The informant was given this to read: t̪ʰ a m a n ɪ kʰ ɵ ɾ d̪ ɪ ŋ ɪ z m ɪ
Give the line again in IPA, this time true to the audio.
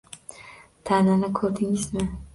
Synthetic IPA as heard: t̪ʰ a n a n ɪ kʰ ɵ ɾ d̪ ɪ ŋ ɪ z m ɪ